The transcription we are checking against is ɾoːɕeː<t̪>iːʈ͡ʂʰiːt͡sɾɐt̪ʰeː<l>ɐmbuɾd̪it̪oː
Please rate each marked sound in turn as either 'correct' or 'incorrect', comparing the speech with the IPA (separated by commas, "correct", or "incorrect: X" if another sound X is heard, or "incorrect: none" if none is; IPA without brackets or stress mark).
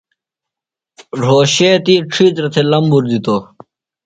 correct, correct